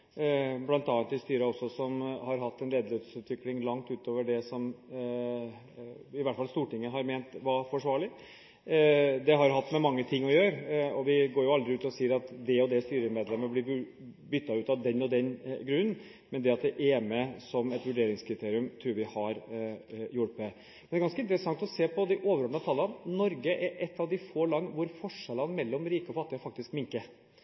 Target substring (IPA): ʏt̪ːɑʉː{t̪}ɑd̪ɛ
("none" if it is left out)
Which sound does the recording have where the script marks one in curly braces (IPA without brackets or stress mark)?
t̪